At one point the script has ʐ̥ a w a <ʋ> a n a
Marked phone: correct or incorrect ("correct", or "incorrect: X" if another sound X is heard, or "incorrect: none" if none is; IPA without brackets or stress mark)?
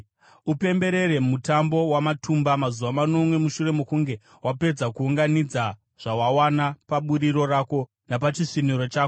incorrect: w